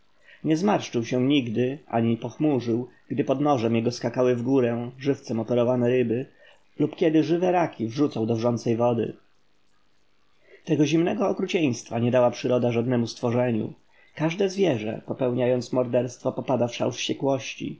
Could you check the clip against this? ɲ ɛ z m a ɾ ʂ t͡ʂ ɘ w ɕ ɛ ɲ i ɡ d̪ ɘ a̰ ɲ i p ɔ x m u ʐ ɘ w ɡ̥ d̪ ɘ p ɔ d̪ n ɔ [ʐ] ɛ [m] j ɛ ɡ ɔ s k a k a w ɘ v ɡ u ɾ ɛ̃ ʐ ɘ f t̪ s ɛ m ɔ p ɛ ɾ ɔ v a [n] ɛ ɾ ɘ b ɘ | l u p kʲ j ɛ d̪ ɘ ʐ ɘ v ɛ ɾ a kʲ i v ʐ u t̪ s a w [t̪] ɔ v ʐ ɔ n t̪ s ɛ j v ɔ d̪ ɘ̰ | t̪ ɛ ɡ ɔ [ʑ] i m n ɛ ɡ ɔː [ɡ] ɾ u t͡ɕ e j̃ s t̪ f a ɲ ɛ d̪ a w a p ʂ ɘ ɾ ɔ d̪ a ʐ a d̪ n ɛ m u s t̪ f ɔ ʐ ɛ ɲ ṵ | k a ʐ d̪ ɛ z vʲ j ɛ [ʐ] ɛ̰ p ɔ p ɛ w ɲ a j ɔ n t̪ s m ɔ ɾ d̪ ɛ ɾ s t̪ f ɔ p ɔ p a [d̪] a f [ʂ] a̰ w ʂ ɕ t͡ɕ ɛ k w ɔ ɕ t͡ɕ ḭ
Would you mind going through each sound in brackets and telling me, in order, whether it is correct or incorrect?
correct, correct, correct, incorrect: d̪, correct, incorrect: k, correct, correct, correct

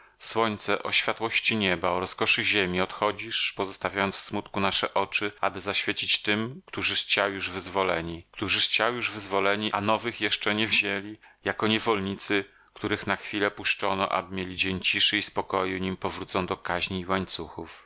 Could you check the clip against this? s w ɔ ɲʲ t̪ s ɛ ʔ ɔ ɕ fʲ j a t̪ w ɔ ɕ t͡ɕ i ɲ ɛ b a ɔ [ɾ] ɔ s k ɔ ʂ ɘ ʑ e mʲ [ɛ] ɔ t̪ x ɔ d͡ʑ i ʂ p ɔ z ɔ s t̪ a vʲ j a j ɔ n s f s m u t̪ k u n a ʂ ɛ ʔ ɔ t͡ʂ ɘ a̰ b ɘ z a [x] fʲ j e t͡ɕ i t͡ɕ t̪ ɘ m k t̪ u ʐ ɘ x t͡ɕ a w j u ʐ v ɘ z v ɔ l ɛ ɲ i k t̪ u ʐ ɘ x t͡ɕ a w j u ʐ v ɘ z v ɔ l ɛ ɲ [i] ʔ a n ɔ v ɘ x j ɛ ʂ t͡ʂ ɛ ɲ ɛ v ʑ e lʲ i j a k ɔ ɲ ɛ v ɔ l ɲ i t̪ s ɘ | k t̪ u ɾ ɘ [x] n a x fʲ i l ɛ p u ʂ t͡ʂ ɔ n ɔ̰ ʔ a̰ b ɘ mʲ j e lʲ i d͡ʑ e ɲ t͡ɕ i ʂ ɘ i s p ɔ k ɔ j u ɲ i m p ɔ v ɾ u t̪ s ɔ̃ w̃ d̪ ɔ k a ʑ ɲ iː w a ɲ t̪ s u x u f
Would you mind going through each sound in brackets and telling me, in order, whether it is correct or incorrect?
correct, incorrect: i, incorrect: ɕ, correct, correct

